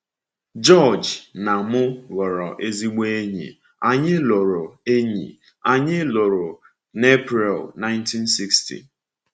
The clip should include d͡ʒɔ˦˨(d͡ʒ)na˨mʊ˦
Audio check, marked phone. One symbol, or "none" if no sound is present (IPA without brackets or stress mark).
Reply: d͡ʒ